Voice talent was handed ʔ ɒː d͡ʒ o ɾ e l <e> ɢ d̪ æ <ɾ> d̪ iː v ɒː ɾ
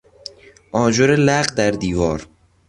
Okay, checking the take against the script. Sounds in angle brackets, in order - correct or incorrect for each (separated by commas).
incorrect, correct